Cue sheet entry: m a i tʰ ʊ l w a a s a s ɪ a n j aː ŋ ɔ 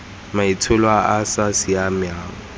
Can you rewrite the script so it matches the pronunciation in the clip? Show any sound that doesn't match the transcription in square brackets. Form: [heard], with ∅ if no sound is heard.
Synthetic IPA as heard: m a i tʰ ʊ l w a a s a s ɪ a [m] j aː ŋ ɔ